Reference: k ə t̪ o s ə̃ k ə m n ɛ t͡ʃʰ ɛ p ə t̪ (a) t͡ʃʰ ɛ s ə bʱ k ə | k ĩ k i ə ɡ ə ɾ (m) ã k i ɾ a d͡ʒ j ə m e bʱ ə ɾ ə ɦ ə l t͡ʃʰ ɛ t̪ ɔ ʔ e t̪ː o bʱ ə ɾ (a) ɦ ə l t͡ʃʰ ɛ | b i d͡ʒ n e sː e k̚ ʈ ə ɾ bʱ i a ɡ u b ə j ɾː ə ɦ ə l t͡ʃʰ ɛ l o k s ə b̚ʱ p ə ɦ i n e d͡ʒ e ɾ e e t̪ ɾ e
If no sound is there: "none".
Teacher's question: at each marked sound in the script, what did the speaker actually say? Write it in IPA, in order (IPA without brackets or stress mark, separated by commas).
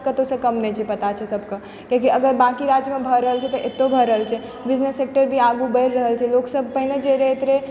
a, b, ə